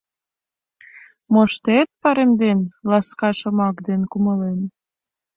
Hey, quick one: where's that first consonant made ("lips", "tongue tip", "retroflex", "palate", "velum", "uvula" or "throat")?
lips